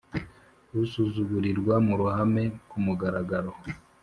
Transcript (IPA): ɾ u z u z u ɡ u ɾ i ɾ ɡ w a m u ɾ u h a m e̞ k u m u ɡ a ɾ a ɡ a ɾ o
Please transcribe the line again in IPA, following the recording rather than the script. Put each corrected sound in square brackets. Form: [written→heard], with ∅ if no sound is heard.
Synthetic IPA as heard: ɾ u [z→s] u z u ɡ u ɾ i ɾ ɡ w a m u ɾ u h a m e̞ k u m u ɡ a ɾ a ɡ a ɾ o